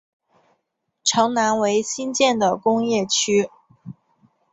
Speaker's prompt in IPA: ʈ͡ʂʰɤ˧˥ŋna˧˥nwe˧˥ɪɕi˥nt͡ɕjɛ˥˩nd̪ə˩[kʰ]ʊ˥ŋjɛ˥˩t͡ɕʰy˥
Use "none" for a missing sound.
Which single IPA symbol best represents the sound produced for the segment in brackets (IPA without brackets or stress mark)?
k